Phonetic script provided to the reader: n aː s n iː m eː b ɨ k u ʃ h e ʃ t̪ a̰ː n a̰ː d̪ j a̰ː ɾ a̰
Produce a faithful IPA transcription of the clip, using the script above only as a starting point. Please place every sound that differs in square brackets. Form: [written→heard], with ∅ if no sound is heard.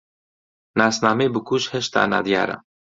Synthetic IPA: n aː s n [iː→aː] m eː b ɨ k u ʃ h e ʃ t̪ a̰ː n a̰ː d̪ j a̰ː ɾ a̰